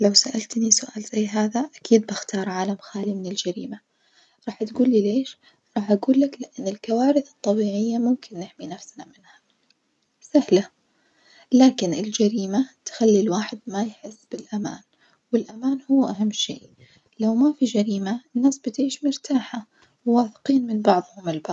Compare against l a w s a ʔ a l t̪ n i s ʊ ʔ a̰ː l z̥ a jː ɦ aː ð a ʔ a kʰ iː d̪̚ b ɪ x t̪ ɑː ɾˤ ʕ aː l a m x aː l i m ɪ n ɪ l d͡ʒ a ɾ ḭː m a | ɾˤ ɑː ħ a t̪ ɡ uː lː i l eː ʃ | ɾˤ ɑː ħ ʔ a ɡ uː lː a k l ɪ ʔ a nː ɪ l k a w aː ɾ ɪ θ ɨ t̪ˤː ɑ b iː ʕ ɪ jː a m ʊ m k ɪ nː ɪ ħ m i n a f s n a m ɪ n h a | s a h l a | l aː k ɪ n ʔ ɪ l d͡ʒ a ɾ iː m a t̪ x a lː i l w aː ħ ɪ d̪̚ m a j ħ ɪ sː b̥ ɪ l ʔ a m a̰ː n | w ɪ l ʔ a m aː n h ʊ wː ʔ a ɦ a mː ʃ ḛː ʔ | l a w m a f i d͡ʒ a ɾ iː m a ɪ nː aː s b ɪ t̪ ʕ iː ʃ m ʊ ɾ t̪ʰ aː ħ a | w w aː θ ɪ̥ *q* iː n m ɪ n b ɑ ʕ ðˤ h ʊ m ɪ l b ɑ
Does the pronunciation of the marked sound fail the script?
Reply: no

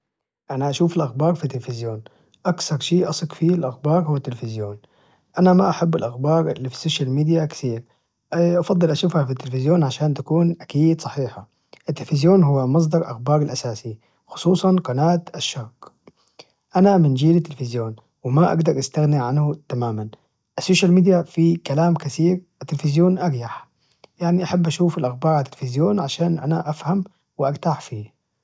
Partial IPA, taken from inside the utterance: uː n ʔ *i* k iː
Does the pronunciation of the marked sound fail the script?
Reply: yes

